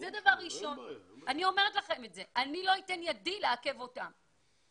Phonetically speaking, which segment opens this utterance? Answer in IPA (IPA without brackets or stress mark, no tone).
z